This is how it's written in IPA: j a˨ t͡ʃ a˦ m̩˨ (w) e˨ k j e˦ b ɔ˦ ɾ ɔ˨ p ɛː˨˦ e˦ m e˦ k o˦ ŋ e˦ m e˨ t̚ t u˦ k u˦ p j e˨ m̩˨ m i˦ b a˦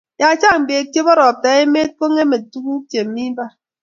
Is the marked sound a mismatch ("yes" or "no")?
yes